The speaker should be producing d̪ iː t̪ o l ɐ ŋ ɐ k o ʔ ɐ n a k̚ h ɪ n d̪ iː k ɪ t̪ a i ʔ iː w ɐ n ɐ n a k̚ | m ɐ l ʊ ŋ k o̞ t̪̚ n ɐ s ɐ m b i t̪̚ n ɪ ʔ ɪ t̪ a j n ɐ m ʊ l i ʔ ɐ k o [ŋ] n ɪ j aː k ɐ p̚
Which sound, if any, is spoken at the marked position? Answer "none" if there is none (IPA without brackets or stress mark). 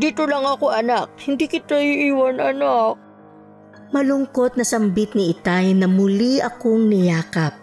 ŋ